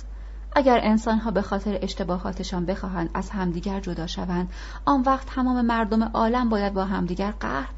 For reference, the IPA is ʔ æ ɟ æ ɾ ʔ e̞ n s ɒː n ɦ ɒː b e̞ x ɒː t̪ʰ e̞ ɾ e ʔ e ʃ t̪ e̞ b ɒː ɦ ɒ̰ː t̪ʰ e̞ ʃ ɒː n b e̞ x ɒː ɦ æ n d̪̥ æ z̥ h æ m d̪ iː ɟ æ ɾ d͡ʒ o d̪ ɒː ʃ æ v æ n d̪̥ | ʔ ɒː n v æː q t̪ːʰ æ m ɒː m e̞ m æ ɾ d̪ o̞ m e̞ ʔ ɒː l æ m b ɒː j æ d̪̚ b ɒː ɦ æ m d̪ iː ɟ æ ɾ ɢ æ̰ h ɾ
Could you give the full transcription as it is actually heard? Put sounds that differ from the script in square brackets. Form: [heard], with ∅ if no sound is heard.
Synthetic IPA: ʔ æ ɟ æ ɾ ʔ e̞ n s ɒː n ɦ ɒː b e̞ x ɒː t̪ʰ e̞ ɾ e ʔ e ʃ t̪ e̞ b ɒː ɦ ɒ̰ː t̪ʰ e̞ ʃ ɒː n b e̞ x ɒː ɦ æ n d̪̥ æ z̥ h æ m d̪ iː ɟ æ ɾ d͡ʒ o d̪ ɒː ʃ æ v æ n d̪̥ | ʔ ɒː n v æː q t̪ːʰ æ m ɒː m e̞ m æ ɾ d̪ o̞ m e̞ ʔ ɒː l æ m b ɒː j æ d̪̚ b ɒː ɦ æ m d̪ iː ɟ æ ɾ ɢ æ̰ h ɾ